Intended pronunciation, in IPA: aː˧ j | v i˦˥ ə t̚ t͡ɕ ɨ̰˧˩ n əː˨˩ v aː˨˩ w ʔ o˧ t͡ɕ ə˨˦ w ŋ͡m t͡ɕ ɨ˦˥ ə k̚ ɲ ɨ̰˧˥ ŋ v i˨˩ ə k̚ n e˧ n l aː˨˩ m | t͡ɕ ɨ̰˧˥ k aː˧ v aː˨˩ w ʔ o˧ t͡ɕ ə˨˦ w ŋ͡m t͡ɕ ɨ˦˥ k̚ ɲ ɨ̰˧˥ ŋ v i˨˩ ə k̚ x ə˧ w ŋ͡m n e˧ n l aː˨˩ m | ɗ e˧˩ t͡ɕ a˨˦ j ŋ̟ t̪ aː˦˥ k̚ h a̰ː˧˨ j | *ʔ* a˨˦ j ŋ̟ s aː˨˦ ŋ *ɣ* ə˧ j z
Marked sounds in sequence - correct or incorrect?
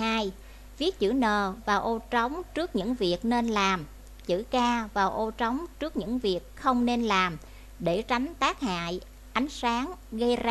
correct, correct

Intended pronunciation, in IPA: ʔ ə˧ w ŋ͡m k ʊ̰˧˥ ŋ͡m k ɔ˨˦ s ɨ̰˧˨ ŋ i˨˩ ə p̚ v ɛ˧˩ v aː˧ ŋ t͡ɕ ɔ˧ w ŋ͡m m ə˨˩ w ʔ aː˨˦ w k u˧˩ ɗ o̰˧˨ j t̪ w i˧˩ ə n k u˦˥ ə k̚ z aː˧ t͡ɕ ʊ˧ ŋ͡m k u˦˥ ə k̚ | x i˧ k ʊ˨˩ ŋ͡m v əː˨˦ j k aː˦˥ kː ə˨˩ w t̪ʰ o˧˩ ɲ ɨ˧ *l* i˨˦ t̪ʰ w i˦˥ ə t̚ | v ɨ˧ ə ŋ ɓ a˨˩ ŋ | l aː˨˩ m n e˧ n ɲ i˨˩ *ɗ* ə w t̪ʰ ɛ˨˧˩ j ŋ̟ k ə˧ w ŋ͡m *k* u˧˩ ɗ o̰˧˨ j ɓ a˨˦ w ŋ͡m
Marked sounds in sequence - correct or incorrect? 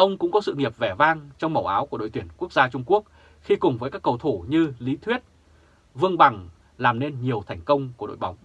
correct, incorrect: none, correct

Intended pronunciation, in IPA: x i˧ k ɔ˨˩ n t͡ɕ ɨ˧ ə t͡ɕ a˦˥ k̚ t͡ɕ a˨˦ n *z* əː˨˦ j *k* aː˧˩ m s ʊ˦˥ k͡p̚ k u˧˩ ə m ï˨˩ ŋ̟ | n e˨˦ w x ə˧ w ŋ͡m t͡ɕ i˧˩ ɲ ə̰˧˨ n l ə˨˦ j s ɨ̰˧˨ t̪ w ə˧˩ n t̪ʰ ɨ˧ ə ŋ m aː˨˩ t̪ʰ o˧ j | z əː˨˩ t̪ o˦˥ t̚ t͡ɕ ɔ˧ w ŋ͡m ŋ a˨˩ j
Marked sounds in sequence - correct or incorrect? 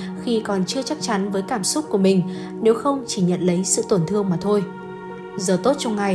incorrect: v, correct

